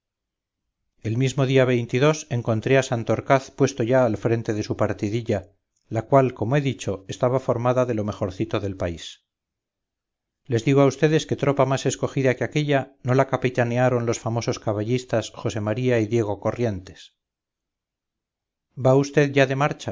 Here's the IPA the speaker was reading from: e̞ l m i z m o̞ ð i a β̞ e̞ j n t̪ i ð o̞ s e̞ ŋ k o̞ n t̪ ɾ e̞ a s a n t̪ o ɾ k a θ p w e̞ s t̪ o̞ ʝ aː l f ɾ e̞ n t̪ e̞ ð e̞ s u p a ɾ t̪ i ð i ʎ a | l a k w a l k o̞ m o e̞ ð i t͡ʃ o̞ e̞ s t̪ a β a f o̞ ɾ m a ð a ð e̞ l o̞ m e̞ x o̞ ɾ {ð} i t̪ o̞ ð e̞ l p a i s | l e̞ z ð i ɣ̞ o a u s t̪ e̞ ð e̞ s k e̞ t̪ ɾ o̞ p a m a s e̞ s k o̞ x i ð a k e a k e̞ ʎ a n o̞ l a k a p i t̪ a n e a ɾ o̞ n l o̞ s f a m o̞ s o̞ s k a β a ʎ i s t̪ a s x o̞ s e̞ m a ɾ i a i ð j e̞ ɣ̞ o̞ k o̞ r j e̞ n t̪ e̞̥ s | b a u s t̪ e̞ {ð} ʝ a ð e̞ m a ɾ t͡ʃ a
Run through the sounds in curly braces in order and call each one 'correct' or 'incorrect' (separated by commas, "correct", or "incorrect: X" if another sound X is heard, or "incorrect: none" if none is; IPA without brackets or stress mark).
incorrect: θ, correct